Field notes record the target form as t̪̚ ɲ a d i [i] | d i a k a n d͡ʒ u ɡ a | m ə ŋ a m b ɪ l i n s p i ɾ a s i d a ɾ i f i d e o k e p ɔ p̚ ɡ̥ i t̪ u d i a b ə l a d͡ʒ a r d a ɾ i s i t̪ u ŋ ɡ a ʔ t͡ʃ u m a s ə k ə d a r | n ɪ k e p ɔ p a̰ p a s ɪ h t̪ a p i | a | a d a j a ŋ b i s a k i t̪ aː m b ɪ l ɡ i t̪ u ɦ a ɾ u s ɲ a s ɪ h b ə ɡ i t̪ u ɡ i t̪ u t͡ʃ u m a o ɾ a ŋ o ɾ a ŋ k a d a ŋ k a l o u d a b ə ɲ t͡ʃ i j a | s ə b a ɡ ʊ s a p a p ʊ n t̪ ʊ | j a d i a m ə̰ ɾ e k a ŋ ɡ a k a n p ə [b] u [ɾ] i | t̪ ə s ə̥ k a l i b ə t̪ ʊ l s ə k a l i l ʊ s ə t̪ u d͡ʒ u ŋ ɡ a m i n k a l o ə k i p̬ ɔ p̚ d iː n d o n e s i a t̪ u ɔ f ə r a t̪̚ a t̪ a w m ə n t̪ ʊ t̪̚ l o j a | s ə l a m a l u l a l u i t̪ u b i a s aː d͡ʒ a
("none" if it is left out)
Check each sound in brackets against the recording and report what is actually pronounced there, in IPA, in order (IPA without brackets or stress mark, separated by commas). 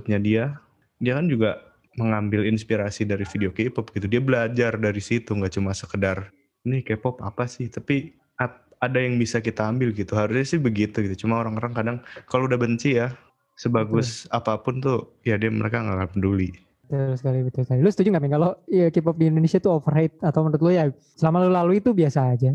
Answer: a, d, l